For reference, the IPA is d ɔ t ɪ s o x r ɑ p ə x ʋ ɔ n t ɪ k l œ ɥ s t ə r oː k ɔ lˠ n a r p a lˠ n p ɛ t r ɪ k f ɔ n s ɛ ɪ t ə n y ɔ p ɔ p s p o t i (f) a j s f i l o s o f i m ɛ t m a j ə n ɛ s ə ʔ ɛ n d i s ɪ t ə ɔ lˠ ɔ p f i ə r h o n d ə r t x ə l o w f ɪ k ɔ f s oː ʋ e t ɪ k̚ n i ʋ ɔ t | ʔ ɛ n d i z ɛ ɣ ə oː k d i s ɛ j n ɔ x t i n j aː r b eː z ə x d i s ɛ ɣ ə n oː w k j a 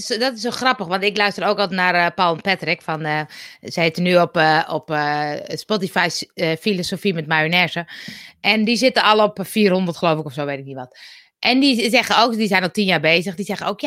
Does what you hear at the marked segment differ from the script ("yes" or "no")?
no